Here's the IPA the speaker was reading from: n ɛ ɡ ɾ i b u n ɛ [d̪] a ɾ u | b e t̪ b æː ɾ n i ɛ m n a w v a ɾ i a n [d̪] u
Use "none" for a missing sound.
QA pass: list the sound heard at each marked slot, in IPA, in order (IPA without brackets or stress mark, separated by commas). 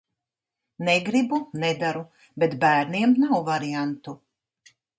d̪, t̪